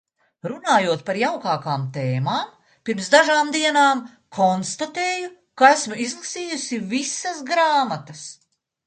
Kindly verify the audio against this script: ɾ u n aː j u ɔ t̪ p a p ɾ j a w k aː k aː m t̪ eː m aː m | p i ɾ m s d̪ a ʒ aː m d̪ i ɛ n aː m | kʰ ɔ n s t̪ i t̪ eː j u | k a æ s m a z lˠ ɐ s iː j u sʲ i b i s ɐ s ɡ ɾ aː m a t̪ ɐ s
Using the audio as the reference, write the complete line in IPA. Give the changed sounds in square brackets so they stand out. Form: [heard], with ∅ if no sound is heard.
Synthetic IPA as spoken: ɾ u n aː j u ɔ t̪ p a [∅] ɾ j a w k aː k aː m t̪ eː m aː m | p i ɾ m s d̪ a ʒ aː m d̪ i ɛ n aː m | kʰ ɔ n s t̪ [a] t̪ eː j u | k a æ s m [i] z lˠ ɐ s iː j u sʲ i [v] i s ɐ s ɡ ɾ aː m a t̪ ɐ s